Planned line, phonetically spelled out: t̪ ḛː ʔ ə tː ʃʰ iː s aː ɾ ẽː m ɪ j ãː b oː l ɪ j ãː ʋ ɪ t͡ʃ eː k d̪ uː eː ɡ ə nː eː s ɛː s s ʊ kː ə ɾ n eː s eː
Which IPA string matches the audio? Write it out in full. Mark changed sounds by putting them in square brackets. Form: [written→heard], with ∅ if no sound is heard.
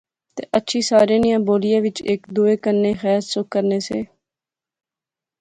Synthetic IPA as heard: t̪ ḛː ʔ ə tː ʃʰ iː s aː ɾ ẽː [m→n] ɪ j ãː b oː l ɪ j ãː ʋ ɪ t͡ʃ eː k d̪ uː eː [ɡ→k] ə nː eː [s→x] ɛː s s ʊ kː ə ɾ n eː s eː